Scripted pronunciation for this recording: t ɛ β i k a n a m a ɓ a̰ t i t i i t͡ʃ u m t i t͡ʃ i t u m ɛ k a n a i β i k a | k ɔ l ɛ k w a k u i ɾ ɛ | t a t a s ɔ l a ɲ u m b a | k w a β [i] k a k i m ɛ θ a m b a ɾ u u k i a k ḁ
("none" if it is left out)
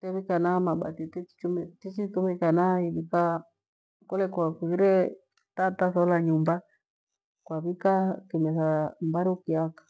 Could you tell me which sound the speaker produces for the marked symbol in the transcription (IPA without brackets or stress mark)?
i